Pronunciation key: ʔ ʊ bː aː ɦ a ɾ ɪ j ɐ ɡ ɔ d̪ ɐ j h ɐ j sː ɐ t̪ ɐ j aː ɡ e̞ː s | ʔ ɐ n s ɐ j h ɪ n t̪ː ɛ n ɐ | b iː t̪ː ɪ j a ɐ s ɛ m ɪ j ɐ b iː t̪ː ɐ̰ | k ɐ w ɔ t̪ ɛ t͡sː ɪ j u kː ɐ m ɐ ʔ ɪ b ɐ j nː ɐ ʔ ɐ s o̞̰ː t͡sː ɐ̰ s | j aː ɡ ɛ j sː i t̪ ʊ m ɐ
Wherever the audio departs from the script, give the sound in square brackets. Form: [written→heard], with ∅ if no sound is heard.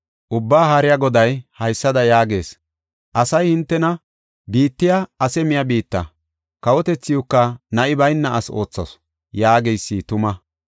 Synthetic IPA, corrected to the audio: ʔ ʊ bː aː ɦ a ɾ ɪ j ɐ ɡ ɔ d̪ ɐ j h ɐ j sː ɐ [t̪→d̪] ɐ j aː ɡ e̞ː s | ʔ ɐ [n→∅] s ɐ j h ɪ n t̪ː ɛ n ɐ | b iː t̪ː ɪ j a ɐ s ɛ m ɪ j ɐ b iː t̪ː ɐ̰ | k ɐ w ɔ t̪ ɛ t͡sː ɪ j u kː ɐ [m→n] ɐ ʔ ɪ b ɐ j nː ɐ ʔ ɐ s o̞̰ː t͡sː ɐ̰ s | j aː ɡ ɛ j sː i t̪ ʊ m ɐ